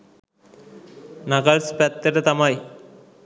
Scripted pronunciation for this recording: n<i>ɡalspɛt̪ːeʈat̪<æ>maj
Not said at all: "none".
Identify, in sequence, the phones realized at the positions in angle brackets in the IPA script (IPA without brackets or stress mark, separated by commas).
a, a